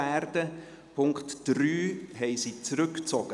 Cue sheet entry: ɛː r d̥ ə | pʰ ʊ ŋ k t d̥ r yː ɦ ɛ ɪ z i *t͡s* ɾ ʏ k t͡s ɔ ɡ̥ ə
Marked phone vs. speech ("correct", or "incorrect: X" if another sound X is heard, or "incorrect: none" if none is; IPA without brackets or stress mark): correct